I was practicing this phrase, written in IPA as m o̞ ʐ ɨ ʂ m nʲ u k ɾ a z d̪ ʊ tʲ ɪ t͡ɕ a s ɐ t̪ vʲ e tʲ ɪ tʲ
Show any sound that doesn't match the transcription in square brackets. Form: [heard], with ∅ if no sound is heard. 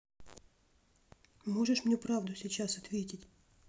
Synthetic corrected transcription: m o̞ ʐ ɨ ʂ m nʲ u [p] ɾ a [v] d̪ ʊ [sʲ] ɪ t͡ɕ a s ɐ t̪ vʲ e tʲ ɪ tʲ